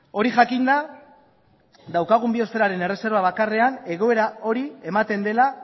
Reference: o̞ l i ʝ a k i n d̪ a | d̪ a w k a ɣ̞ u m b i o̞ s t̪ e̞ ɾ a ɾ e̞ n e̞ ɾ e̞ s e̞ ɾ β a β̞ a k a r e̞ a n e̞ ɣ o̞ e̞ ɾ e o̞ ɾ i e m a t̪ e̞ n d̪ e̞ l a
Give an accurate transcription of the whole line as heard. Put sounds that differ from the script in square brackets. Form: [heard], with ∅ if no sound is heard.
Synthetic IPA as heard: o̞ [ɾ] i ʝ a k i n d̪ a | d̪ a w k a ɣ̞ u m b i o̞ s t̪ e̞ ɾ a ɾ e̞ n e̞ [r] e̞ s e̞ ɾ β a β̞ a k a r e̞ a n e̞ ɣ o̞ e̞ ɾ [a] o̞ ɾ i e m a t̪ e̞ n d̪ e̞ l a